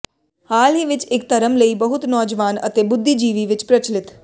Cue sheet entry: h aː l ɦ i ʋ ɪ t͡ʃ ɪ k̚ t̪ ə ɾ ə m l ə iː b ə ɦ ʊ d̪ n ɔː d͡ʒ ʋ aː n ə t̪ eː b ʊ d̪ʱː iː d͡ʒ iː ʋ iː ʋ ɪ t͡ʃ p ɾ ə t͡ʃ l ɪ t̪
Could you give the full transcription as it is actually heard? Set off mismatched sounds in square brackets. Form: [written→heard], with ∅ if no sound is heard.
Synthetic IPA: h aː l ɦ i ʋ ɪ t͡ʃ ɪ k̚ t̪ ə ɾ ə m l ə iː b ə ɦ ʊ [d̪→t̪] n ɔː d͡ʒ ʋ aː n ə t̪ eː b ʊ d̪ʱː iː d͡ʒ iː ʋ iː ʋ ɪ t͡ʃ p ɾ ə t͡ʃ l ɪ t̪